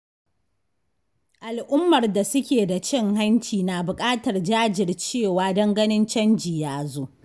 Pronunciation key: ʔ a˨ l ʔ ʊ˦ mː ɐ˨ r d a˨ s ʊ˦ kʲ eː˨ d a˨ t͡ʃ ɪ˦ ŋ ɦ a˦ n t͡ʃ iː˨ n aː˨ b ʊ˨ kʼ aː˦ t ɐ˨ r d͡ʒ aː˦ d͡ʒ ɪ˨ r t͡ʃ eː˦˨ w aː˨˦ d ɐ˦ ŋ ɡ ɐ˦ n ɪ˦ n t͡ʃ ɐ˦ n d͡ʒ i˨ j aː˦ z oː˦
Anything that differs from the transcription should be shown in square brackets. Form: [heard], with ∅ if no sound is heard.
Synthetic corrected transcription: ʔ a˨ l ʔ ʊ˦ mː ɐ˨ r d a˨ s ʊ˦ kʲ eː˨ d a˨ t͡ʃ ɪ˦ ŋ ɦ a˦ n t͡ʃ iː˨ n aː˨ b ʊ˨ kʼ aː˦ t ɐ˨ r d͡ʒ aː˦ d͡ʒ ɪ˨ r t͡ʃ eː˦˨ w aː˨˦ d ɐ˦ ŋ ɡ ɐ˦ n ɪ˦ n t͡ʃ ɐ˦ n d͡ʒ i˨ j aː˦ z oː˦